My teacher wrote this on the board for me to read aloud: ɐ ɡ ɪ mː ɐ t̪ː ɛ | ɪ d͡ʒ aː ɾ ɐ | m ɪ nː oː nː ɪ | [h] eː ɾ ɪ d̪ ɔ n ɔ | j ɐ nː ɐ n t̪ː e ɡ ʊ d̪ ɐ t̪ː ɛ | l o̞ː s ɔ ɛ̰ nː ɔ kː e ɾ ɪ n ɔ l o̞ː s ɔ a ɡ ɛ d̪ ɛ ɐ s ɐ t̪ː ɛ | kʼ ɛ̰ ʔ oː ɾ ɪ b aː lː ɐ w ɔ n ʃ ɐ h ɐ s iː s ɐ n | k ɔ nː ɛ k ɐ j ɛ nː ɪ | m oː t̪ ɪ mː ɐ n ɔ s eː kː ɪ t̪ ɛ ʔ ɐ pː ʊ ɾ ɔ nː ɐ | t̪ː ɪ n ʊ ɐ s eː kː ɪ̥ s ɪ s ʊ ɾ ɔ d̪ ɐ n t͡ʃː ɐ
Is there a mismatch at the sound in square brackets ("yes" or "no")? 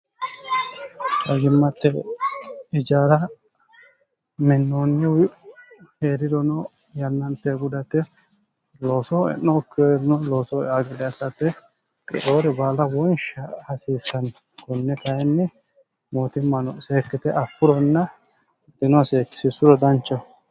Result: no